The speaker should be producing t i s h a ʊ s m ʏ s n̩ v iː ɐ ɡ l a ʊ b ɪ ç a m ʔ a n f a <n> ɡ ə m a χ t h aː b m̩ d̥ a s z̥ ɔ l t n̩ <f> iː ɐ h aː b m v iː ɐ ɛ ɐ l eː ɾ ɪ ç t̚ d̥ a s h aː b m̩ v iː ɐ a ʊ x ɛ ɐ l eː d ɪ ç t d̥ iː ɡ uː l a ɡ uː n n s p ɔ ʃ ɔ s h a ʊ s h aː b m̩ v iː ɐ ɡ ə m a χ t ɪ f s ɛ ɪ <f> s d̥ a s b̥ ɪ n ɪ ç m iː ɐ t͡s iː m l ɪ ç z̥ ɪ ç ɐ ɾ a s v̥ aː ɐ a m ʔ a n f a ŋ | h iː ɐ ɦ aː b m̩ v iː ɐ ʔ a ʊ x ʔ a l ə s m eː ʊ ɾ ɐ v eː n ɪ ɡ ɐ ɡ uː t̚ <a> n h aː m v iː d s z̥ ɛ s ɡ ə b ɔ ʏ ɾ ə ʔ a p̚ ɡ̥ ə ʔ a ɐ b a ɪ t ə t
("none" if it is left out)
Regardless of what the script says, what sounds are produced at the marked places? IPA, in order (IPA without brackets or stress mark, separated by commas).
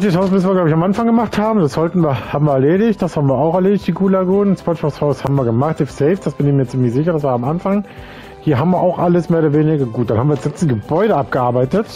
ŋ, v, f, a